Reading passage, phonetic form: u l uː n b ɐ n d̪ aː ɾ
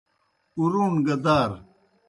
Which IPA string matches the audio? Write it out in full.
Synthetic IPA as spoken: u ɾ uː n ɡ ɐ d̪ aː ɾ